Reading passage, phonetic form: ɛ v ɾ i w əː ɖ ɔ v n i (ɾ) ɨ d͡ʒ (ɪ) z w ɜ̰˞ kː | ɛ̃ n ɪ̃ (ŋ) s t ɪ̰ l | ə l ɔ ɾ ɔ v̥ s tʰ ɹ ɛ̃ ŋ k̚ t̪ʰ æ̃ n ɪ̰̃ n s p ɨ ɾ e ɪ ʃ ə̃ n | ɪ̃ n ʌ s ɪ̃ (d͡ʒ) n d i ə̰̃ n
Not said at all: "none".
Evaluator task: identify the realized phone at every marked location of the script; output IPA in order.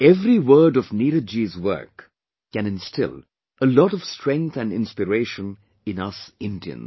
ɾ, i, n, none

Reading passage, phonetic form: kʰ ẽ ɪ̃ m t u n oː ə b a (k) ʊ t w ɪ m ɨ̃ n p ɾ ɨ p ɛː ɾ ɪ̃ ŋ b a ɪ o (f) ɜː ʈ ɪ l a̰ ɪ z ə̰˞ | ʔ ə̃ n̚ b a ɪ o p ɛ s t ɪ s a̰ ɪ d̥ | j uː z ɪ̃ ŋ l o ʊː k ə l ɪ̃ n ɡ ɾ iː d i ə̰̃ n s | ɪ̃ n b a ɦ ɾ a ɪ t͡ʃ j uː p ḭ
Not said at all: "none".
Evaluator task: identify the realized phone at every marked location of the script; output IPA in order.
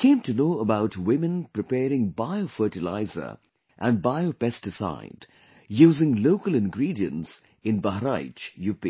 none, f

